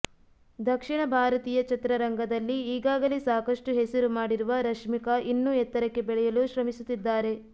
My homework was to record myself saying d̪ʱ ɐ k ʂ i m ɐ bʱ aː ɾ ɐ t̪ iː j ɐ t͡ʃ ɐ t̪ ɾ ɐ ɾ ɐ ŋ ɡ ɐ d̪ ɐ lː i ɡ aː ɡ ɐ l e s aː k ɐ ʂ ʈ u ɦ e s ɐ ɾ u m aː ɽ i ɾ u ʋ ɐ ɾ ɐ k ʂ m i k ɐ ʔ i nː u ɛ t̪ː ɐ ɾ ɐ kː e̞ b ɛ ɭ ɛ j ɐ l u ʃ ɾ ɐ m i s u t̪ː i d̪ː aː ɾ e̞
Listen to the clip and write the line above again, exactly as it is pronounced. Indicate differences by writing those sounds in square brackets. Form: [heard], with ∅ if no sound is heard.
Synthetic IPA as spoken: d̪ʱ ɐ k ʂ i [ɳ] ɐ bʱ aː ɾ ɐ t̪ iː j ɐ t͡ʃ ɐ t̪ ɾ ɐ ɾ ɐ ŋ ɡ ɐ d̪ ɐ lː [iː] ɡ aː ɡ ɐ l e s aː k ɐ ʂ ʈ u ɦ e s ɐ ɾ u m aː ɽ i ɾ u ʋ ɐ ɾ ɐ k ʂ m i k ɐ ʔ i nː u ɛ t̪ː ɐ ɾ ɐ kː e̞ b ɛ ɭ ɛ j ɐ l u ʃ ɾ ɐ m i s u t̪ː i d̪ː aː ɾ e̞